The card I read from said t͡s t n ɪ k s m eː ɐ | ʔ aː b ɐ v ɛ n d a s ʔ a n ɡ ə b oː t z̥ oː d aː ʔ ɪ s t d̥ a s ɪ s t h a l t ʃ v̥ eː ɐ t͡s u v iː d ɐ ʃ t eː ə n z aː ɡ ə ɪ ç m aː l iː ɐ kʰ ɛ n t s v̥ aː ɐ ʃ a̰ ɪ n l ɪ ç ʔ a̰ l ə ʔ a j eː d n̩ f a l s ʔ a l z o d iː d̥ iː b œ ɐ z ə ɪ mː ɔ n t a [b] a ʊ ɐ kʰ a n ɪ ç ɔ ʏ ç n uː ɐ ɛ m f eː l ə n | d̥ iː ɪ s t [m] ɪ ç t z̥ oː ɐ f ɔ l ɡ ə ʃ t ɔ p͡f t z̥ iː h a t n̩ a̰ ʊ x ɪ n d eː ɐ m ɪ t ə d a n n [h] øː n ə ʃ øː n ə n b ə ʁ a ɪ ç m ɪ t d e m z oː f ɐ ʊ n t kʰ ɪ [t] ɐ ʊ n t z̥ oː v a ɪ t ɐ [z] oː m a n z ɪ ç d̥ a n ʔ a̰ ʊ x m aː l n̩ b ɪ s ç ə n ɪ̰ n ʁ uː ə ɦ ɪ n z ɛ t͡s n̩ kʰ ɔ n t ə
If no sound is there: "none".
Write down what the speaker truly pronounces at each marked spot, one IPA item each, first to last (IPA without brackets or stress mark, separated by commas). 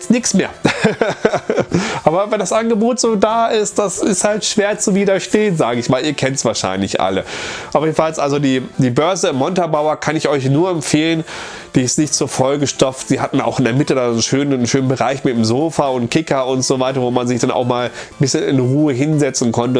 b, n, ʃ, k, v